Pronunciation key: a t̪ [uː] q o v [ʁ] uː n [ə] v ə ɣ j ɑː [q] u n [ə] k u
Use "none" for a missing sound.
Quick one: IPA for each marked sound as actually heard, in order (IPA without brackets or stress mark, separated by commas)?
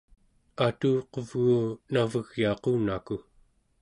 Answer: uː, ɣ, a, q, a